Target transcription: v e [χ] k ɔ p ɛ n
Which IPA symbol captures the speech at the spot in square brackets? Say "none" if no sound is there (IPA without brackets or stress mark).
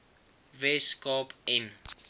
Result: s